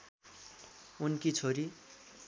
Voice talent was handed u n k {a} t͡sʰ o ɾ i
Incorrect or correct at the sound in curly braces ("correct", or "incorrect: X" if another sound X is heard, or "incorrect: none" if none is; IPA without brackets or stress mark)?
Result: incorrect: i